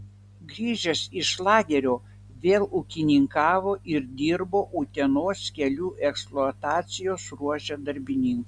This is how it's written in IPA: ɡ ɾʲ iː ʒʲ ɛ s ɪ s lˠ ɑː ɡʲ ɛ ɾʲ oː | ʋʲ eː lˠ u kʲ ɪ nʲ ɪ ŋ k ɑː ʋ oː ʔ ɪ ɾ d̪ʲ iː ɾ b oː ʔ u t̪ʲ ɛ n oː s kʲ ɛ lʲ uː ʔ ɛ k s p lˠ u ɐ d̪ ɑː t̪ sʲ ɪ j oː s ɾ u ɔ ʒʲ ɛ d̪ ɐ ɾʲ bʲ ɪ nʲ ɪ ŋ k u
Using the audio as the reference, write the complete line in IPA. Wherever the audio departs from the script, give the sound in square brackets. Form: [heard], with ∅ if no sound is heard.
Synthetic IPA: ɡ ɾʲ iː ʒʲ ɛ s ɪ [ʃ] lˠ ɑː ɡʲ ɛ ɾʲ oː | ʋʲ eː lˠ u kʲ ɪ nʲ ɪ ŋ k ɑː ʋ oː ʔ ɪ ɾ d̪ʲ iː ɾ b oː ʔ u t̪ʲ ɛ n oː s kʲ ɛ lʲ uː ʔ ɛ k s p lˠ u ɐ [t̪] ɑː t̪ sʲ ɪ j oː s ɾ u ɔ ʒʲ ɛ d̪ ɐ ɾʲ bʲ ɪ nʲ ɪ ŋ k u